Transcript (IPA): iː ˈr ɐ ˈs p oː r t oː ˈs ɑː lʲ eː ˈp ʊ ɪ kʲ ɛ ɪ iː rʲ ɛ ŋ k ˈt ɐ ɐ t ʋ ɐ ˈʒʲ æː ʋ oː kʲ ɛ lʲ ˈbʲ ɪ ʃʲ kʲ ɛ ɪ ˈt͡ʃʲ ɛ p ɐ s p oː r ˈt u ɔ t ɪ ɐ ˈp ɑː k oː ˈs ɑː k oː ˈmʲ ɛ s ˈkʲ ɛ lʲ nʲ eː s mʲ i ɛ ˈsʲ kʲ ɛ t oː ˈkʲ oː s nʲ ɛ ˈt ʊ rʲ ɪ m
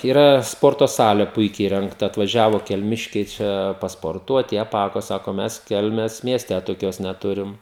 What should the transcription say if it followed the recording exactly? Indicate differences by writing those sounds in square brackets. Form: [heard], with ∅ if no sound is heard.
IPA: iː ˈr ɐ ˈs p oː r t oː ˈs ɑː lʲ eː ˈp ʊ ɪ kʲ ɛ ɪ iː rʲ ɛ ŋ k ˈt ɐ ɐ t ʋ ɐ ˈʒʲ æː ʋ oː kʲ ɛ lʲ [ˈmʲ] ɪ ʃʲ kʲ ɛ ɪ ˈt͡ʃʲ ɛ p ɐ s p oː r ˈt u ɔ t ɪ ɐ ˈp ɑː k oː ˈs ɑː k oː ˈmʲ ɛ s ˈkʲ ɛ lʲ [mʲ] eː s mʲ i ɛ ˈsʲ [tʲ] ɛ t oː ˈkʲ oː s nʲ ɛ ˈt ʊ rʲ ɪ m